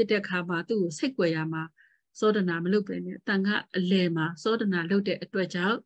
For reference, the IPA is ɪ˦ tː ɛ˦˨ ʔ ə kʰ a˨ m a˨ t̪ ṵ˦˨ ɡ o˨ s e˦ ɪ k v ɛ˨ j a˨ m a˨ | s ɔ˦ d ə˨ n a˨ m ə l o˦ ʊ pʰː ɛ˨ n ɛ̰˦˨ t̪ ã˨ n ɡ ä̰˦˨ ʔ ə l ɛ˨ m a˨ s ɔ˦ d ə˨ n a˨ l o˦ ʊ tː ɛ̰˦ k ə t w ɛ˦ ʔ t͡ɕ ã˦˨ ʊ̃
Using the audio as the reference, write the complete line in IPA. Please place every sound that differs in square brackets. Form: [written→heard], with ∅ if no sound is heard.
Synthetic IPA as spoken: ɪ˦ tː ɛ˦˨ ʔ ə kʰ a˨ m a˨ t̪ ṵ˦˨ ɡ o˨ s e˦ ɪ k [v→w] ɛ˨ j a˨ m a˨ | s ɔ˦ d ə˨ n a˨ m ə l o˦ ʊ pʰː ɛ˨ n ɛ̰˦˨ t̪ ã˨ [n→ŋ] ɡ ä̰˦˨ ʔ ə l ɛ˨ m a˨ s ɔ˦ d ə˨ n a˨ l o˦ ʊ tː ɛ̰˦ [k→ʔ] ə t w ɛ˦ ʔ t͡ɕ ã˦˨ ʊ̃